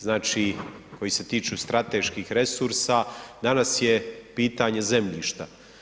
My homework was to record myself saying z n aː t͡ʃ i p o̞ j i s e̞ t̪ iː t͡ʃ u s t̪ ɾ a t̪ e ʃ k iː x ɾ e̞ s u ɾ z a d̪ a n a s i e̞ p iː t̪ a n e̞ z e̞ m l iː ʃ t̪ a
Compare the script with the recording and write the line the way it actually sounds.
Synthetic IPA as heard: z n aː t͡ʃ i k o̞ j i s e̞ t̪ iː t͡ʃ u s t̪ ɾ a t̪ e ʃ k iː x ɾ e̞ s u ɾ s a d̪ a n a s j e̞ p iː t̪ a ɲ e̞ z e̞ m ʎ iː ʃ t̪ a